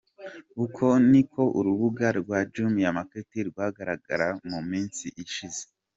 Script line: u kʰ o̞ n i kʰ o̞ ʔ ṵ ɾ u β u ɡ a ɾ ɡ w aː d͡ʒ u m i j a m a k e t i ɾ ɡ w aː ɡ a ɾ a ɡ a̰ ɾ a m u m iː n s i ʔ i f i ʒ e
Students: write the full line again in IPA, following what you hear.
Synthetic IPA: u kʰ o̞ n i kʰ o̞ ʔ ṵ ɾ u β u ɡ a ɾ ɡ w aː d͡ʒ u m i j a m a k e t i ɾ ɡ w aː ɡ a ɾ a ɡ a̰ ɾ a m u m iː n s i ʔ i ʃ i z e

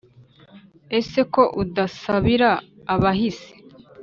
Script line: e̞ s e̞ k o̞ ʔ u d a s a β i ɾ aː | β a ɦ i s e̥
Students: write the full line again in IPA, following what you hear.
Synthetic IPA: e̞ s e̞ k o̞ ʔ u d a s a β i ɾ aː | β a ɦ i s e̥

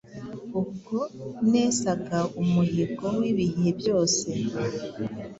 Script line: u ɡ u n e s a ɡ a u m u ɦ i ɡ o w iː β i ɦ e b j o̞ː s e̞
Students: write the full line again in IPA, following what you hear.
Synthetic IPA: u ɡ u n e s a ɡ a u m u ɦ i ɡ o w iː β i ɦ e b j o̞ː s e̞

